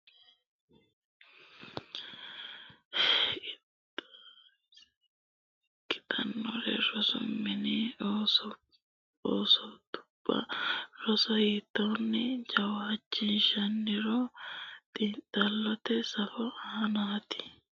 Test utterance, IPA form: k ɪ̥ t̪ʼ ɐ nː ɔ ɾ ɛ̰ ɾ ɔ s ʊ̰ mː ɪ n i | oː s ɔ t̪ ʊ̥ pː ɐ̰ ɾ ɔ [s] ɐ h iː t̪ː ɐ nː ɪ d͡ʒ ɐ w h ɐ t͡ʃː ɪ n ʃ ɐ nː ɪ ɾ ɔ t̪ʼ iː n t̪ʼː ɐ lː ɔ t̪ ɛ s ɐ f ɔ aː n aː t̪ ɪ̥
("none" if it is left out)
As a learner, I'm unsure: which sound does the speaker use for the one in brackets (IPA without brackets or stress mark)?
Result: s